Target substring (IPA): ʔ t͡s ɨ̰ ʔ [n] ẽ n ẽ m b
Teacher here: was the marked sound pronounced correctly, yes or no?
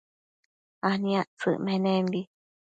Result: no